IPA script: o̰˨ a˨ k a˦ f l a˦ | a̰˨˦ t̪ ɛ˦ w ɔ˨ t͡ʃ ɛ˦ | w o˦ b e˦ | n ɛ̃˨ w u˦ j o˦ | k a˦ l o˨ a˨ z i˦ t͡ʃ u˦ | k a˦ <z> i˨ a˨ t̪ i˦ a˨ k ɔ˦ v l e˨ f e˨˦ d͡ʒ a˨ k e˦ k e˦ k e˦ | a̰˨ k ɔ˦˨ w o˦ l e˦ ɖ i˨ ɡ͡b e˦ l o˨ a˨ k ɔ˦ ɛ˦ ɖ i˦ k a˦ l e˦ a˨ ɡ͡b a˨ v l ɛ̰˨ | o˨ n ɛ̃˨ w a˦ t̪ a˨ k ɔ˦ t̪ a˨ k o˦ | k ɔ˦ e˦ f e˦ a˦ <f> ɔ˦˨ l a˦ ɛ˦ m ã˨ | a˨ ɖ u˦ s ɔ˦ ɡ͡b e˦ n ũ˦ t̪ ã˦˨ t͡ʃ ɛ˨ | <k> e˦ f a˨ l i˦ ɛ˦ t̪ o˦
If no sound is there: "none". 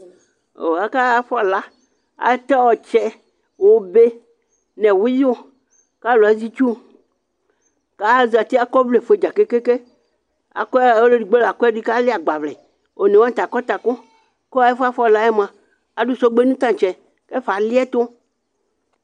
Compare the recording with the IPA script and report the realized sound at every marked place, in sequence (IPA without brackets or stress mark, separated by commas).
z, f, k